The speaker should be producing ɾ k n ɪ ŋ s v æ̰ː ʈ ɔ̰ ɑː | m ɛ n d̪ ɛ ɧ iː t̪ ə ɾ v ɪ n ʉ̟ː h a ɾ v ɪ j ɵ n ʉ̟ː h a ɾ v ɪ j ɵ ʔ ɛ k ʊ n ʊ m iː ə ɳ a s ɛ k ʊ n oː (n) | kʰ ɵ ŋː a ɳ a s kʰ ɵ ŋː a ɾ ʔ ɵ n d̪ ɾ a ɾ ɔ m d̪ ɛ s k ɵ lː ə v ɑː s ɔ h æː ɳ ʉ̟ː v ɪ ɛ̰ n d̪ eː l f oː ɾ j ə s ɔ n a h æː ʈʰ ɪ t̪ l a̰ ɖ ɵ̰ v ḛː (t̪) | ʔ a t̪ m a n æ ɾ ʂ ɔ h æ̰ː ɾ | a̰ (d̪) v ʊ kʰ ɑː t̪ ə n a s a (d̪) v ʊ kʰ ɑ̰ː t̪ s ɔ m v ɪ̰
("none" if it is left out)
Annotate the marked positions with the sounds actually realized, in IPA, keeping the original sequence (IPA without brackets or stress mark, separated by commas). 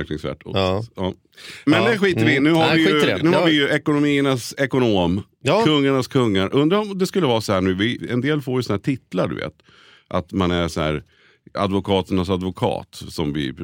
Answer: m, t̪, d̪, d̪